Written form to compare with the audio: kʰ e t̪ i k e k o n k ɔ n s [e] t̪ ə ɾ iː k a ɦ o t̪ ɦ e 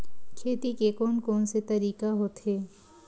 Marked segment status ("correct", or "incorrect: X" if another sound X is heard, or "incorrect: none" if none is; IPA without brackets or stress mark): correct